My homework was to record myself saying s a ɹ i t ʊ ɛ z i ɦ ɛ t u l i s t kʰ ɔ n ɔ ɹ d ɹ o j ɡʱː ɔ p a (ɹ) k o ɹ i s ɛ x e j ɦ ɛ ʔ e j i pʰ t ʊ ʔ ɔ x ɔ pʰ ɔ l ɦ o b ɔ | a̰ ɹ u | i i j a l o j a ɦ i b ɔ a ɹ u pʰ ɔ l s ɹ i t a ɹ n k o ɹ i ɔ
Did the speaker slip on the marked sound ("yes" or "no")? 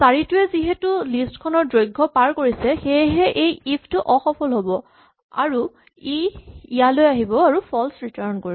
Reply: no